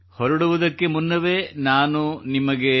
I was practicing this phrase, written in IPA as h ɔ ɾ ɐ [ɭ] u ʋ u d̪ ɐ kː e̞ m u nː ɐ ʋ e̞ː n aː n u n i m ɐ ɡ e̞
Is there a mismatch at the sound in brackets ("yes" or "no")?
yes